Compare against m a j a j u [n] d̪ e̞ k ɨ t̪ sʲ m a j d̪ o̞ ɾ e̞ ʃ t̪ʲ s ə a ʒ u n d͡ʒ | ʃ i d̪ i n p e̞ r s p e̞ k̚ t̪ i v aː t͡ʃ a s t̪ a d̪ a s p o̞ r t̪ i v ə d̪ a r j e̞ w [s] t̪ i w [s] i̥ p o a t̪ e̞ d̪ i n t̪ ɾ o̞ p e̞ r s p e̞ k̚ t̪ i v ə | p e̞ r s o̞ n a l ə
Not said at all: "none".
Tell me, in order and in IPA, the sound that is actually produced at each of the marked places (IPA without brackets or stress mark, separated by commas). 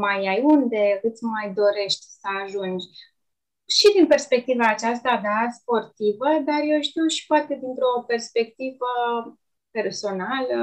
n, ʃ, ʃ